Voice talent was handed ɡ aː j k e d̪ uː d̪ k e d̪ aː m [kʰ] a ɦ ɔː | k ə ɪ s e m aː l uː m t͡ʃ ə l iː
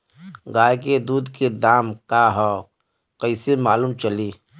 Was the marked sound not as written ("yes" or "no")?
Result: yes